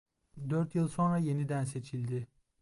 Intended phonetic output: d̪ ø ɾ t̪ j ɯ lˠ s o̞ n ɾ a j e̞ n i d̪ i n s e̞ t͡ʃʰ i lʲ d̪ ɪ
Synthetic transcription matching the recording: d̪ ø ɾ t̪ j ɯ lˠ s o̞ n ɾ a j e̞ n i d̪ æ n s e̞ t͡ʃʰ i lʲ d̪ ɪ